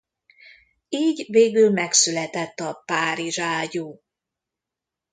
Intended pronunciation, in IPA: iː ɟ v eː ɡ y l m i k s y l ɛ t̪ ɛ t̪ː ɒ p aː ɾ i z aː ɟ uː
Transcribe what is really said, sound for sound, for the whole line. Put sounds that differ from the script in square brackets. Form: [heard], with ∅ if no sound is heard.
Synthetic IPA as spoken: iː ɟ v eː ɡ y l m [ɛ] k s y l ɛ t̪ ɛ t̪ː ɒ p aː ɾ i [ʒ] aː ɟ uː

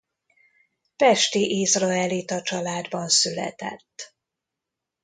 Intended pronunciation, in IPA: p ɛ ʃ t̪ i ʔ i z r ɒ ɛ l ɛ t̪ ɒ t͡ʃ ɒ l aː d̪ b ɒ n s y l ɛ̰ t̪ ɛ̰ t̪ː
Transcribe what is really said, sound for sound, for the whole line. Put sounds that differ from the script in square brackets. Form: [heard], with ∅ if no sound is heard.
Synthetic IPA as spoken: p ɛ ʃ t̪ i ʔ i z r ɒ ɛ l [i] t̪ ɒ t͡ʃ ɒ l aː d̪ b ɒ n s y l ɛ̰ t̪ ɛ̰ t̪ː

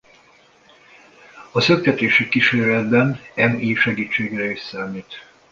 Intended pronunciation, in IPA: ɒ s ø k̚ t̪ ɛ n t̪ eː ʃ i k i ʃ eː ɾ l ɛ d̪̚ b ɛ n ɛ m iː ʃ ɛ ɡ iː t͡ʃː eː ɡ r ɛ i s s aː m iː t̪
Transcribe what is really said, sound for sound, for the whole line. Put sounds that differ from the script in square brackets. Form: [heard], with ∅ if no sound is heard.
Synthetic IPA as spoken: ɒ s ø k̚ t̪ ɛ [∅] t̪ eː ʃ i k i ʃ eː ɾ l ɛ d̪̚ b ɛ n ɛ m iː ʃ ɛ ɡ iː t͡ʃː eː ɡ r ɛ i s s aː m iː t̪

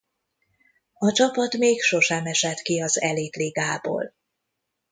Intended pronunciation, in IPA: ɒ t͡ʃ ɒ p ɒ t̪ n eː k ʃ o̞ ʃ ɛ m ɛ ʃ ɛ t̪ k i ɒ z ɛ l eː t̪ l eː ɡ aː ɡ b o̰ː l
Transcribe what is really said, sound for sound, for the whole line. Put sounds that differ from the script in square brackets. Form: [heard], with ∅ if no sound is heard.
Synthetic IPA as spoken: ɒ t͡ʃ ɒ p ɒ t̪ [m] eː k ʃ o̞ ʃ ɛ m ɛ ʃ ɛ t̪ k i ɒ z ɛ l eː t̪ l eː ɡ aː [∅] b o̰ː l

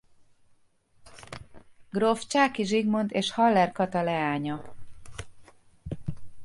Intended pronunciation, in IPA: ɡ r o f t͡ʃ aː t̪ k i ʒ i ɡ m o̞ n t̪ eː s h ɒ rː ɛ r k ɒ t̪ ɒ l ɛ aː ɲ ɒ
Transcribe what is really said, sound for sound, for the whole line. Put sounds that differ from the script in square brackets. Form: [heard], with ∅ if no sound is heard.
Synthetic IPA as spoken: ɡ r o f t͡ʃ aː [∅] k i ʒ i ɡ m o̞ n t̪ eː [ʃ] h ɒ [lː] ɛ r k ɒ t̪ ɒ l ɛ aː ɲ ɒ

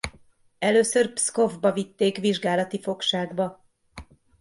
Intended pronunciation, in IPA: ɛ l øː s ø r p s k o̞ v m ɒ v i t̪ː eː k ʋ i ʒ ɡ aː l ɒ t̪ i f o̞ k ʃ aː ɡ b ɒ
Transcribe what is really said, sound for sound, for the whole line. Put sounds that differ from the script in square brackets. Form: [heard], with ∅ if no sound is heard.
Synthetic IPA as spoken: ɛ l øː s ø r p s k o̞ v [b] ɒ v i t̪ː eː k ʋ i ʒ ɡ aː l ɒ t̪ i f o̞ k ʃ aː ɡ b ɒ

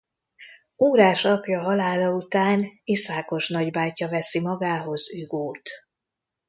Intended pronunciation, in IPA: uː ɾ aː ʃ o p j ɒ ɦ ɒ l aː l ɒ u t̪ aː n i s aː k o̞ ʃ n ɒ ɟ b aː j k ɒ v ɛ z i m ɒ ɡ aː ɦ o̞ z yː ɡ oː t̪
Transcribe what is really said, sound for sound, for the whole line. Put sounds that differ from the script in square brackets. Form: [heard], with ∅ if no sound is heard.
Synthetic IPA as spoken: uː ɾ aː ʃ [ɒ] p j ɒ ɦ ɒ l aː l ɒ u t̪ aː n i s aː k o̞ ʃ n ɒ ɟ b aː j [c] ɒ v ɛ [s] i m ɒ ɡ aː ɦ o̞ z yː ɡ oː t̪

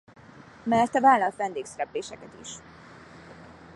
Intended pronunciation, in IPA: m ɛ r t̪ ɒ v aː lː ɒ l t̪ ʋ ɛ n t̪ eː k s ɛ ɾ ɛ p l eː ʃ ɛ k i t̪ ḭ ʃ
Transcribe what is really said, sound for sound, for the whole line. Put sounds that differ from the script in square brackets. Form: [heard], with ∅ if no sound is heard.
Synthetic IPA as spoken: m ɛ r t̪ ɒ v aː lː ɒ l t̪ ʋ ɛ n [d̪] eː k s ɛ ɾ ɛ p l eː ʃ ɛ k [ɛ] t̪ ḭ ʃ

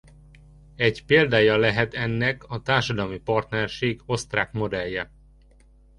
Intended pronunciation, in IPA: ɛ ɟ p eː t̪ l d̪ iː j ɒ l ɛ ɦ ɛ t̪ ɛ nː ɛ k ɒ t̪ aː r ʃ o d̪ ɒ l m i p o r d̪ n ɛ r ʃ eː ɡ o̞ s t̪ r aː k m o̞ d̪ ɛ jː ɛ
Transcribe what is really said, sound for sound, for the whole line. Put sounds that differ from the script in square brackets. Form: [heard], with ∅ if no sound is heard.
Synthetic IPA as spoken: ɛ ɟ p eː [∅] l d̪ [aː] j ɒ l ɛ ɦ ɛ t̪ ɛ nː ɛ k ɒ t̪ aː r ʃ [ɒ] d̪ ɒ l m i p [ɒ] r [t̪] n ɛ r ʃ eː ɡ o̞ s t̪ r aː k m o̞ d̪ ɛ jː ɛ

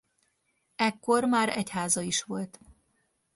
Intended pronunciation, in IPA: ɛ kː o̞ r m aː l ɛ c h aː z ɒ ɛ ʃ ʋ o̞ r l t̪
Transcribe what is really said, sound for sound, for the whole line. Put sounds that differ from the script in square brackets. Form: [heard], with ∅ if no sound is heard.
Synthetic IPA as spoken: ɛ kː o̞ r m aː [ɾ] ɛ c h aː z ɒ [i] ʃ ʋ o̞ [∅] l t̪

